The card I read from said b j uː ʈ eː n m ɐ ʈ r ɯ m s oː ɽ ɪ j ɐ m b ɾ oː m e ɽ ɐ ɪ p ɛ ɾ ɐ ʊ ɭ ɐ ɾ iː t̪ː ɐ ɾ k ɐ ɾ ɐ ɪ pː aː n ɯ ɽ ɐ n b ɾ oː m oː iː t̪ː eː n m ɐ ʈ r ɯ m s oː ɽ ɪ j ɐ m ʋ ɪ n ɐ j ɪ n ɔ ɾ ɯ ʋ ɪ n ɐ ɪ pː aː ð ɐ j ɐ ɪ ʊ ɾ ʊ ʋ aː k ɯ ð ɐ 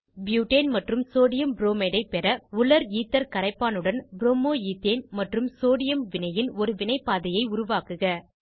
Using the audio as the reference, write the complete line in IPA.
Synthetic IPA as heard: b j uː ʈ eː n m ɐ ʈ r ɯ m s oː ɽ ɪ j ɐ m b ɾ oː m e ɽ ɐ ɪ p ɛ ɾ ɐ ʊ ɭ ɐ ɾ iː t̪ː ɐ ɾ k ɐ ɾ ɐ ɪ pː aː n ɯ ɽ ɐ n b ɾ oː m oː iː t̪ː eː n m ɐ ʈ r ɯ m s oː ɽ ɪ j ɐ m ʋ ɪ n ɐ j ɪ n ɔ ɾ ɯ ʋ ɪ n ɐ ɪ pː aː ð ɐ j ɐ ɪ ʊ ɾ ʊ ʋ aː k ɯ ɣ ɐ